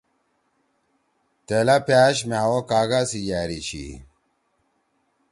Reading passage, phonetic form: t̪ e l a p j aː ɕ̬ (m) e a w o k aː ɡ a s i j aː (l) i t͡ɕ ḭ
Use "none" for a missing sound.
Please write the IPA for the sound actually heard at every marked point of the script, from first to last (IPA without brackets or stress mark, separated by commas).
m, ɾ